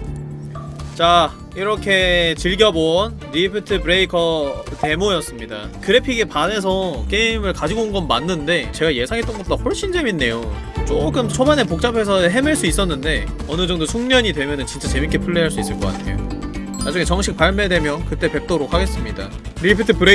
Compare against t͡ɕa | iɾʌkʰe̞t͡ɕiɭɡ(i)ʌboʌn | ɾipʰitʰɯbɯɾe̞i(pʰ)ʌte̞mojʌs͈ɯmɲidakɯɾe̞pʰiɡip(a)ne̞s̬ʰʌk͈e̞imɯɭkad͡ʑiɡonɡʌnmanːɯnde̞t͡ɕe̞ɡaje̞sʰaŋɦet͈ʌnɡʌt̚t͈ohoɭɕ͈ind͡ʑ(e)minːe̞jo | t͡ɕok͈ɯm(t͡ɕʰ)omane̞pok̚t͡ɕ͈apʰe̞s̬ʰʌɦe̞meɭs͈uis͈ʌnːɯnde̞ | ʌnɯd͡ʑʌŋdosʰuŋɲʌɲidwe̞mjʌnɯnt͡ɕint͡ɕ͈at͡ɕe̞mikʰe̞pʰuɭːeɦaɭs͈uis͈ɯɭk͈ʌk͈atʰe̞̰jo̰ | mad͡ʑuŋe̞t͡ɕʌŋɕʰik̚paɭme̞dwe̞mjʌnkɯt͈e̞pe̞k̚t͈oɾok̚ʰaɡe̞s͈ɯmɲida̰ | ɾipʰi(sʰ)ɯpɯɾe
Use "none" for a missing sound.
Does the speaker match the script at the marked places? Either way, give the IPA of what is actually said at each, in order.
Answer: j, kʰ, a, e, t͡ɕʰ, tʰ

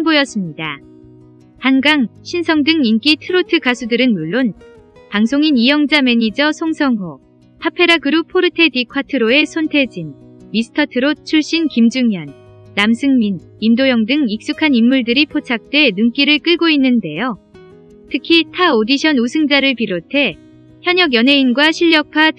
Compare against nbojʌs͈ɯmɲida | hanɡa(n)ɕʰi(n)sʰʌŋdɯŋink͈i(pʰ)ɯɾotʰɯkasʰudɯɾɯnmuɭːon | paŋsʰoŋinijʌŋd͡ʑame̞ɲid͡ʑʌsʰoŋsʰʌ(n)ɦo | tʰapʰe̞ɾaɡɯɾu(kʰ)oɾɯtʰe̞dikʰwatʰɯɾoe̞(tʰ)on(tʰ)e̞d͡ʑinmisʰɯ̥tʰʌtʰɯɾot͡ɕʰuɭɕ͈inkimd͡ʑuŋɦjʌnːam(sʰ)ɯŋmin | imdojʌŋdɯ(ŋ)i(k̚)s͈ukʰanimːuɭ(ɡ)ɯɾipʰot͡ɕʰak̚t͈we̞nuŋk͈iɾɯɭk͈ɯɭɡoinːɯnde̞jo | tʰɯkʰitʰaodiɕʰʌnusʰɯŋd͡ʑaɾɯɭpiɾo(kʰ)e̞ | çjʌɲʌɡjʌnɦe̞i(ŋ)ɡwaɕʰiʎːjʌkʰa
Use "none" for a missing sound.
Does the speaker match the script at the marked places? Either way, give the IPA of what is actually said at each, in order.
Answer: ŋ, n, tʰ, ŋ, pʰ, sʰ, tʰ, sʰ, ŋ, k̚, d, tʰ, n

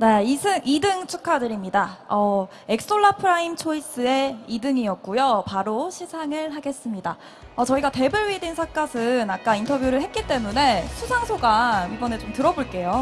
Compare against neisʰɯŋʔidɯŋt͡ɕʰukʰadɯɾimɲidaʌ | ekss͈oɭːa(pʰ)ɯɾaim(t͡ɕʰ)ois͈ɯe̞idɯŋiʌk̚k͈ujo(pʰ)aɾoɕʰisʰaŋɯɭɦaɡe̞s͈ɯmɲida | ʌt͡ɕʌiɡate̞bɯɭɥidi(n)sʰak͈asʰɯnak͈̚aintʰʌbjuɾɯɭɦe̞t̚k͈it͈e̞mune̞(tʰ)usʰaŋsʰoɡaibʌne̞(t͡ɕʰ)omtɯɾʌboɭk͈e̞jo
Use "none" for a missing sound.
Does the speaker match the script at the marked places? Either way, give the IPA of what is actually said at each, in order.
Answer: pʰ, t͡ɕʰ, p, n, sʰ, t͡ɕ

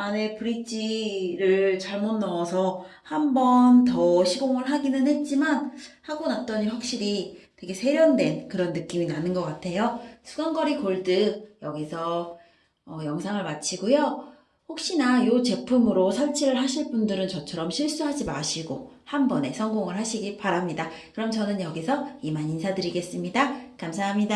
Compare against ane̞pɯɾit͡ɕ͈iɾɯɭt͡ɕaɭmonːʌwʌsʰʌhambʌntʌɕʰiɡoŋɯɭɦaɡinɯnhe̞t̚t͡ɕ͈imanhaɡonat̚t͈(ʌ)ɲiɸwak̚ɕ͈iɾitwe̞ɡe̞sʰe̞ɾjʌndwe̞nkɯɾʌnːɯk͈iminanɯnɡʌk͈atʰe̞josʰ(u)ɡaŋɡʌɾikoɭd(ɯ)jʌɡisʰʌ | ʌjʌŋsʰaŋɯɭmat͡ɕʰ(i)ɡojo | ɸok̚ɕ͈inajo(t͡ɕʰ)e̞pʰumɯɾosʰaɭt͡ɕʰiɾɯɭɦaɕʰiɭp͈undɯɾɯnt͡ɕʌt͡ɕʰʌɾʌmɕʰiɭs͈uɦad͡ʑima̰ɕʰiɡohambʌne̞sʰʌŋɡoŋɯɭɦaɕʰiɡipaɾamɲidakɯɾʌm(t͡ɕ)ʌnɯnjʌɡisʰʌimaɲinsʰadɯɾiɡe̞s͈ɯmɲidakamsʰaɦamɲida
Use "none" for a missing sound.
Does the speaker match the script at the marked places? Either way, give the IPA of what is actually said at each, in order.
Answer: ʌ, u, ɯ, i, t͡ɕ, t͡ɕ

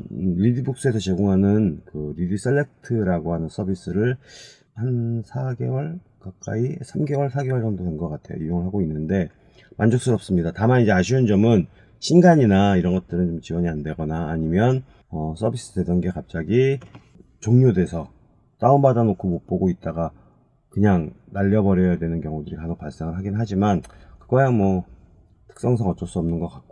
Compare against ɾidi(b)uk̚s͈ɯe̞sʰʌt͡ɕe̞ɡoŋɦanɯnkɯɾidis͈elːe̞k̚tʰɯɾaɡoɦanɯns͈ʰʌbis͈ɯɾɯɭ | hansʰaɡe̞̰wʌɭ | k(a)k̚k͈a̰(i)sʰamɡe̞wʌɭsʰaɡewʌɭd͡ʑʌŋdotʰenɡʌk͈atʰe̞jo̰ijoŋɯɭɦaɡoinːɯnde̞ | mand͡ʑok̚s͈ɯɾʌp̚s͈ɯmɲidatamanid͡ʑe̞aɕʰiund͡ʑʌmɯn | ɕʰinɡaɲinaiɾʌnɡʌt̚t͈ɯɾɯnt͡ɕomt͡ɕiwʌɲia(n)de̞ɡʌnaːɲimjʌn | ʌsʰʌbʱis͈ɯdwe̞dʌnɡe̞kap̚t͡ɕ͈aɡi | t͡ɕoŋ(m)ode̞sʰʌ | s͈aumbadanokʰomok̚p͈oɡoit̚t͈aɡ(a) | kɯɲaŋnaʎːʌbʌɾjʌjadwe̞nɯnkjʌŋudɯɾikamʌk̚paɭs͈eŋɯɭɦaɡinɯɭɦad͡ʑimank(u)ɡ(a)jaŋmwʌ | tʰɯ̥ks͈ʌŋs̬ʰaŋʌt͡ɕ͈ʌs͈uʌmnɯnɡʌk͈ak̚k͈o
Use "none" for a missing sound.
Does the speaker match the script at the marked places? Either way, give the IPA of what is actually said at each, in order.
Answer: b, a, i, n, ɲ, a, ɯ, ʌ

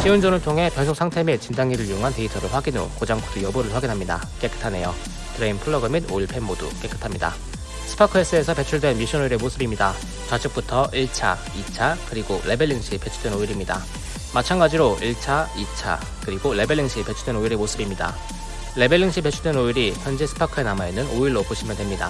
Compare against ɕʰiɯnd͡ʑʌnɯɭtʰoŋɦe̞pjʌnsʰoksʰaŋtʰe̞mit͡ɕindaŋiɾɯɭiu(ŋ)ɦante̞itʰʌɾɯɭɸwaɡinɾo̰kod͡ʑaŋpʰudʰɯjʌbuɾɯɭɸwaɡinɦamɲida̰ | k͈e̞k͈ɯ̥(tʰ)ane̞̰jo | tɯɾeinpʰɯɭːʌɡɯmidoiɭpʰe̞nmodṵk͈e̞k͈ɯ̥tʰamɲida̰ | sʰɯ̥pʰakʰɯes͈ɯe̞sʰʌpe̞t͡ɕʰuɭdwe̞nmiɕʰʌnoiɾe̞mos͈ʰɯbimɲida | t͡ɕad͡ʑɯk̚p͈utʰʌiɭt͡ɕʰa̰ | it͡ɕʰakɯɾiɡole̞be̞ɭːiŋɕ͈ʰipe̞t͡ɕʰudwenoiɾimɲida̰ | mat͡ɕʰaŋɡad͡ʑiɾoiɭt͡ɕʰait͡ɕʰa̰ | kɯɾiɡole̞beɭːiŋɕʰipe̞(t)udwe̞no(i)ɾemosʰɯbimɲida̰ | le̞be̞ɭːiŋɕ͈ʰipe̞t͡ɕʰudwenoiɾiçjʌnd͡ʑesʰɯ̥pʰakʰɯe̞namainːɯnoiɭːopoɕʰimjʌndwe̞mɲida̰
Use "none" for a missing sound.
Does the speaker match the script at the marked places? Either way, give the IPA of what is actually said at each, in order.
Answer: ŋ, tʰ, t͡ɕʰ, i

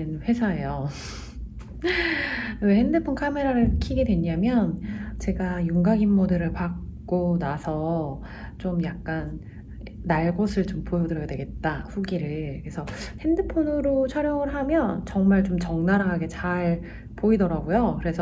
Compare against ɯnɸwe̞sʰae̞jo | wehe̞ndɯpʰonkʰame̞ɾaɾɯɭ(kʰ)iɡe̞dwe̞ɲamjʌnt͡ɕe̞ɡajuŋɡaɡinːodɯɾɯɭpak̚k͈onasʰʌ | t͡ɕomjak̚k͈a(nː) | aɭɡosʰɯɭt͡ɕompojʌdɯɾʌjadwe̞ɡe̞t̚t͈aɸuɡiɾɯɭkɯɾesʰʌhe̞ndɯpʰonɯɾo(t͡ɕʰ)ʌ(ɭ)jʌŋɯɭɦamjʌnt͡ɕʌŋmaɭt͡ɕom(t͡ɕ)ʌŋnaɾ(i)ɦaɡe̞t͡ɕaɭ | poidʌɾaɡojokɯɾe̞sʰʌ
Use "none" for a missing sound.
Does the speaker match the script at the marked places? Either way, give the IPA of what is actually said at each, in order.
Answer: kʰ, nː, t͡ɕʰ, ɾ, t͡ɕ, a

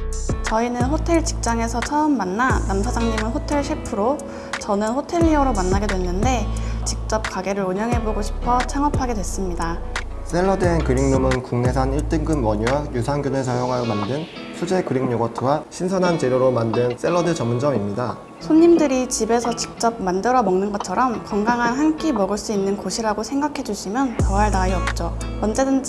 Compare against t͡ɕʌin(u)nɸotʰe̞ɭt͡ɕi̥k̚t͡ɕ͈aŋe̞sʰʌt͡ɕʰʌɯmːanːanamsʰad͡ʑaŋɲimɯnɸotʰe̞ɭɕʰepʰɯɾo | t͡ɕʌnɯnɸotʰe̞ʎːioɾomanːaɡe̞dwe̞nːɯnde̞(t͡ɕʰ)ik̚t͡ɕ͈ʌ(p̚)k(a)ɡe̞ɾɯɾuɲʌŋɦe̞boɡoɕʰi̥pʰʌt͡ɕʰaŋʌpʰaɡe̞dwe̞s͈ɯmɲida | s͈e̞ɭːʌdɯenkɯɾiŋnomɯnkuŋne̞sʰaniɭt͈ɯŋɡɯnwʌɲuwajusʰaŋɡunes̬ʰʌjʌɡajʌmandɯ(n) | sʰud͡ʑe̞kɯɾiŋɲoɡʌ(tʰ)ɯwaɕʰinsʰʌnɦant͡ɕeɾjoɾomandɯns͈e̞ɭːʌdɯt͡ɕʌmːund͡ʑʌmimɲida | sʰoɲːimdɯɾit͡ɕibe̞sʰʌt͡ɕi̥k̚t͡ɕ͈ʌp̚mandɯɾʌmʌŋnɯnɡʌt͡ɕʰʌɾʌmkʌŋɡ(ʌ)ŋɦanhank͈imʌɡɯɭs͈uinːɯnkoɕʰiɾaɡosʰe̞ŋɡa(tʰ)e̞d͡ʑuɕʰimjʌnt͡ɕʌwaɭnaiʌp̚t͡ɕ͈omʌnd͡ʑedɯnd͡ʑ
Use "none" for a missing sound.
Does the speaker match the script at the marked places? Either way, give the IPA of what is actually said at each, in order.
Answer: ɯ, t͡ɕ, p̚, a, n, tʰ, a, kʰ

